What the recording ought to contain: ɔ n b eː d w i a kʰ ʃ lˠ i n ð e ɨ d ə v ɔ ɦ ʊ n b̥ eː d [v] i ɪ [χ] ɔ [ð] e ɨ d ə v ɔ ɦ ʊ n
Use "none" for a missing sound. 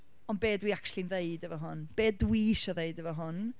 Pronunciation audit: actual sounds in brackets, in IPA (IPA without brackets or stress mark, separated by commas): w, ʃ, ð